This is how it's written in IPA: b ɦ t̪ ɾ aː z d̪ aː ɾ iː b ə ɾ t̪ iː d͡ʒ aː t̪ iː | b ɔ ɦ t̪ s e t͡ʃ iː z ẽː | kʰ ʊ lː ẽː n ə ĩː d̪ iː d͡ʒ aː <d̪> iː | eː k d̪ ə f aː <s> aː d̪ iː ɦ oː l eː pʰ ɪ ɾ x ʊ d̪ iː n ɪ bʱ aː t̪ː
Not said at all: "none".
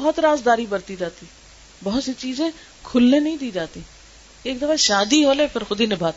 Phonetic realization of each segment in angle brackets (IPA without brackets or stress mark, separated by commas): t̪, ʃ